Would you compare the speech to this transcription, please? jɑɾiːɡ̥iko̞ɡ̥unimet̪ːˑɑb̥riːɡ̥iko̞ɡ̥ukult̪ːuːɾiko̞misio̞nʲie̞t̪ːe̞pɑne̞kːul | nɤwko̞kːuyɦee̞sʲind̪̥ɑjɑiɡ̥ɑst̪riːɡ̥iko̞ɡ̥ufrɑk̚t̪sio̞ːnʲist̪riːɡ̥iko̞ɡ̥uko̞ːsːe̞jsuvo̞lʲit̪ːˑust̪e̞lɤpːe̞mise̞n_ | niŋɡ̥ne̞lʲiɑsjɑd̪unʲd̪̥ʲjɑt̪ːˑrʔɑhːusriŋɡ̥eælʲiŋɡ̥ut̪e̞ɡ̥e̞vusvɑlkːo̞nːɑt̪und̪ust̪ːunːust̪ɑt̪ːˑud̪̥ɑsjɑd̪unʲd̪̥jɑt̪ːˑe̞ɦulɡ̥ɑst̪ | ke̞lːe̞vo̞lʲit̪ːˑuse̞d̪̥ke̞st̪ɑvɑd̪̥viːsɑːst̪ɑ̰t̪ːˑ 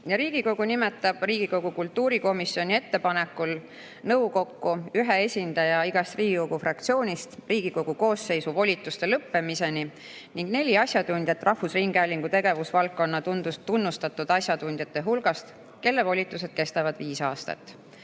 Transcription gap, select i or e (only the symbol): i